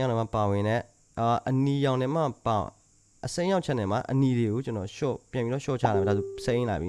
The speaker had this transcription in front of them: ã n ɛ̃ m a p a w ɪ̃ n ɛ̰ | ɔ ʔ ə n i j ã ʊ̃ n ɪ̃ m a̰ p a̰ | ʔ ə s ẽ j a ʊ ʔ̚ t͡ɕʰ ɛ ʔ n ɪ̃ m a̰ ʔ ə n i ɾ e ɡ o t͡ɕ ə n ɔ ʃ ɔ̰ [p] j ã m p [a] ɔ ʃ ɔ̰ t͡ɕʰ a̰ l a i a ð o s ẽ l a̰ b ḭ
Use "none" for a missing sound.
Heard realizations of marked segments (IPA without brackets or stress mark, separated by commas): p, i